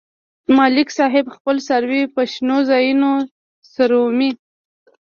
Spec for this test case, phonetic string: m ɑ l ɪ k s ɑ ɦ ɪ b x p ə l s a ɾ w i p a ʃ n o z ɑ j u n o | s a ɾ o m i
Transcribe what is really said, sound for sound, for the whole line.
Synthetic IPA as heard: m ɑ l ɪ k s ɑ ɦ ɪ b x p ə l s a ɾ w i p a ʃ n o z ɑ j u n o | s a ɾ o m i